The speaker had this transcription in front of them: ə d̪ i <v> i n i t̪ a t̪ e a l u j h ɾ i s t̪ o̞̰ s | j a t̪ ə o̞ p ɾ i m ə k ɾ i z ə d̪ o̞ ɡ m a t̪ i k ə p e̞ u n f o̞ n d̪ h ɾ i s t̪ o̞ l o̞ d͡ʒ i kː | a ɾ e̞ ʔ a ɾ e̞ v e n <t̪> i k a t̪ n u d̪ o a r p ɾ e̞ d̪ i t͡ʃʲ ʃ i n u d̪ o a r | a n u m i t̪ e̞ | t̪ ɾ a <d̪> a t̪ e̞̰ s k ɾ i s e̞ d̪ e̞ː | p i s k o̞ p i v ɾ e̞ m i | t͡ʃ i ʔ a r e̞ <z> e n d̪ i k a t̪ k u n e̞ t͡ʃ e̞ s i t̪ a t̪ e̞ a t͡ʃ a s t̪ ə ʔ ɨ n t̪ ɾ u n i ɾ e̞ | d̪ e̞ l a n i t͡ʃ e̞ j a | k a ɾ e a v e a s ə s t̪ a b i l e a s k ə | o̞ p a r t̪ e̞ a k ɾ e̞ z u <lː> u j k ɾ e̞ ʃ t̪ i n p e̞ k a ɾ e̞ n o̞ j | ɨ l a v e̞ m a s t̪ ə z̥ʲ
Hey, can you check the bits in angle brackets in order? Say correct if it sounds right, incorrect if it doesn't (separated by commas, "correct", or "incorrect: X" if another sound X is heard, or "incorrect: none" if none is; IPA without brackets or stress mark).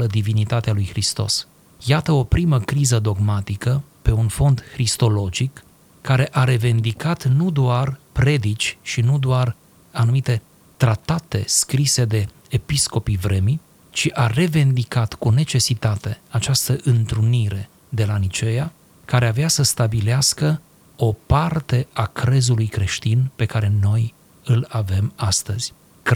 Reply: correct, incorrect: d̪, incorrect: t̪, incorrect: v, incorrect: l